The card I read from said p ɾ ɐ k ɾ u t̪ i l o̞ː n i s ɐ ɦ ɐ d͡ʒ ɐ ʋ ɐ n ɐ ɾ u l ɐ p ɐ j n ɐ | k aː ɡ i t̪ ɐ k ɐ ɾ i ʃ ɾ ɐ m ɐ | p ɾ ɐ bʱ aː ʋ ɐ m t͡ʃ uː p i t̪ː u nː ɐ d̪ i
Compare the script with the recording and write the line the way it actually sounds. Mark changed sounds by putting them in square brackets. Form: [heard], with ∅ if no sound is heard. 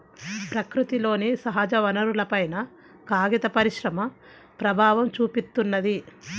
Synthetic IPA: p ɾ ɐ k ɾ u t̪ i l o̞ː n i s ɐ ɦ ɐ d͡ʒ ɐ ʋ ɐ n ɐ ɾ u l ɐ p ɐ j n ɐ | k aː ɡ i t̪ ɐ [p] ɐ ɾ i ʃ ɾ ɐ m ɐ | p ɾ ɐ bʱ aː ʋ ɐ m t͡ʃ uː p i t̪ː u nː ɐ d̪ i